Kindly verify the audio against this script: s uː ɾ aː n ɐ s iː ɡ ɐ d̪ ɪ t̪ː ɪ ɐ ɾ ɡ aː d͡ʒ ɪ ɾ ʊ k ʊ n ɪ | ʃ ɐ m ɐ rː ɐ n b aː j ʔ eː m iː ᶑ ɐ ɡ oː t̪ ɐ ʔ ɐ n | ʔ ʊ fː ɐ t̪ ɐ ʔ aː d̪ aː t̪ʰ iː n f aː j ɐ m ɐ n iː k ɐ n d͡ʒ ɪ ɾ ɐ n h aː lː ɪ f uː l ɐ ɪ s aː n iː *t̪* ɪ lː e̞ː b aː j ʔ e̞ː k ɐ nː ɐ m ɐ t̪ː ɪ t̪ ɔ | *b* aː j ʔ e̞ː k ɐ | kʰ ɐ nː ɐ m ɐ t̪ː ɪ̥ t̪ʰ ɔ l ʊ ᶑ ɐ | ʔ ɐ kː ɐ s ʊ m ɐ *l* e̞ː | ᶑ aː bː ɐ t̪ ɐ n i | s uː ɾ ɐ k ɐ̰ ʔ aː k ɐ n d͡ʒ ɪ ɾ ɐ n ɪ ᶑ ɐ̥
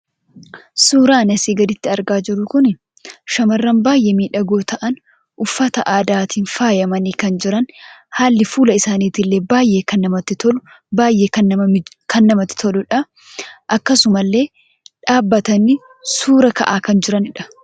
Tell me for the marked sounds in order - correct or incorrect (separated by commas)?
correct, correct, incorrect